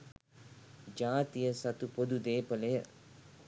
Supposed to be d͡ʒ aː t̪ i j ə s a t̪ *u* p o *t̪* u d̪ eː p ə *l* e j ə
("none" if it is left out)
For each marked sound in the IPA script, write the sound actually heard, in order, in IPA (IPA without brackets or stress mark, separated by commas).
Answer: u, d̪, l